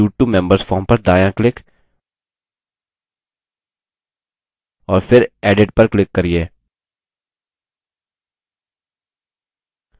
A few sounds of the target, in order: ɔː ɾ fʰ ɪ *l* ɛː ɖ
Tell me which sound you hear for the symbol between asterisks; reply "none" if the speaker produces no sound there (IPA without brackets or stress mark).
ɾ